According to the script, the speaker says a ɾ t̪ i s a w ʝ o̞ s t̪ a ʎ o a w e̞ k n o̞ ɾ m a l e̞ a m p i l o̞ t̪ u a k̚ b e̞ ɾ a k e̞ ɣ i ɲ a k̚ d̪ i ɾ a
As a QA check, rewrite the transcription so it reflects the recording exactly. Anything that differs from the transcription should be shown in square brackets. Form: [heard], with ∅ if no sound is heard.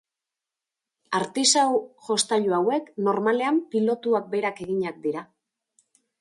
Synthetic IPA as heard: a ɾ t̪ i s a w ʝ o̞ s t̪ a ʎ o a w e̞ k n o̞ ɾ m a l e̞ a m p i l o̞ t̪ u a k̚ b e̞ ɾ a k e̞ ɣ i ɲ a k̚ d̪ i ɾ a